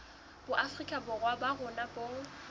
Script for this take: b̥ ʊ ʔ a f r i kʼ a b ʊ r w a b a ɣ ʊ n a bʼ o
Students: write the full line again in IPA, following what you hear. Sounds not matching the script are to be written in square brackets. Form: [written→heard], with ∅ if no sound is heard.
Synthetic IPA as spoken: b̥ ʊ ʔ a f r i kʼ a b ʊ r w a b a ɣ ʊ n a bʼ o